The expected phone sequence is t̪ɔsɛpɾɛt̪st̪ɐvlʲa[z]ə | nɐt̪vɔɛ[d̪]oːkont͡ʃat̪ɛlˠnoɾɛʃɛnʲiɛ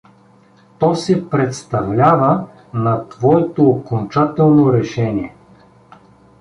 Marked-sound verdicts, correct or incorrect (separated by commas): incorrect, incorrect